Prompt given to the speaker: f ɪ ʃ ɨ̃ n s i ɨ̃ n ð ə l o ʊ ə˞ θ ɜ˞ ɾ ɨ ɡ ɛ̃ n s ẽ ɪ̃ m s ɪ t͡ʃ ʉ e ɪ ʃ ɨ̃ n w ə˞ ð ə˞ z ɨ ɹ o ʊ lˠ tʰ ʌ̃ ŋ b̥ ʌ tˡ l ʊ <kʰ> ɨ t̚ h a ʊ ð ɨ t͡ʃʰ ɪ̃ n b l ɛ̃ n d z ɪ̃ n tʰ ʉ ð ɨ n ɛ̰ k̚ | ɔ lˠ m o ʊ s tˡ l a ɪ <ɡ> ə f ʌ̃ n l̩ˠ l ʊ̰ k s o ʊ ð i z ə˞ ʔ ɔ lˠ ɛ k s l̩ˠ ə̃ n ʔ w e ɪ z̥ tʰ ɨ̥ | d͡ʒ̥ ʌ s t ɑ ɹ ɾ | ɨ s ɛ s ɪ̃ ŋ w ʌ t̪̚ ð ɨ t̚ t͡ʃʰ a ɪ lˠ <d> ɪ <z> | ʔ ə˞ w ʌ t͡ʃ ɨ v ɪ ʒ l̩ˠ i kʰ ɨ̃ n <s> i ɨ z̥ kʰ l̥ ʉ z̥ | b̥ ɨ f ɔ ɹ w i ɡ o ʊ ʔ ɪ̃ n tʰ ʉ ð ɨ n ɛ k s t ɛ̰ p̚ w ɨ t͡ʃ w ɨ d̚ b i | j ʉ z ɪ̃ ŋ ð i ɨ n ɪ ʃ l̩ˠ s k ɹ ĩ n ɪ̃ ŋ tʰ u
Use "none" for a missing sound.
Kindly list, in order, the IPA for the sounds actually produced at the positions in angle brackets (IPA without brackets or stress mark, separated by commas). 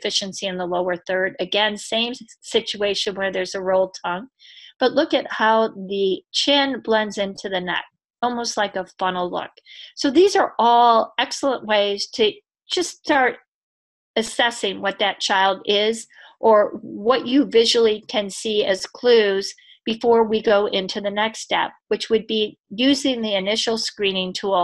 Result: k, k, d, z, s